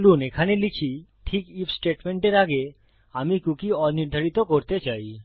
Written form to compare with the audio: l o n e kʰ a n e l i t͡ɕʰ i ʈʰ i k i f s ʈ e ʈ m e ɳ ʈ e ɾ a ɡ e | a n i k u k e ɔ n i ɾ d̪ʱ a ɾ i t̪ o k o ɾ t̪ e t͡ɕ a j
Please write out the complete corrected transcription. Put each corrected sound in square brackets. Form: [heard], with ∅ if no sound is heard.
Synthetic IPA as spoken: l [u] n e kʰ a n e l i t͡ɕʰ i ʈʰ i k i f s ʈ e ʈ m e ɳ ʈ e ɾ a ɡ e | a [m] i k u k [i] ɔ n i ɾ d̪ʱ a ɾ i t̪ o k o ɾ t̪ e t͡ɕ a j